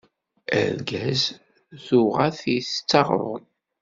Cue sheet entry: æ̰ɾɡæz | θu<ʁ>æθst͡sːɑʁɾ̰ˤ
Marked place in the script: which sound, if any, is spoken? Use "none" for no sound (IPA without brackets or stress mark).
ʁ